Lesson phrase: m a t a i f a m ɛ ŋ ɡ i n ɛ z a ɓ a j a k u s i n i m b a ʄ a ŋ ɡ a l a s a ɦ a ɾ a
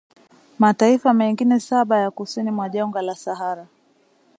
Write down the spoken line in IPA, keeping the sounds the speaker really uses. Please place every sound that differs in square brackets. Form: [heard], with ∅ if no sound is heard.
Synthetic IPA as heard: m a t a i f a m ɛ ŋ ɡ i n ɛ [s] a ɓ a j a k u s i n i m [w] a ʄ a ŋ ɡ a l a s a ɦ a ɾ a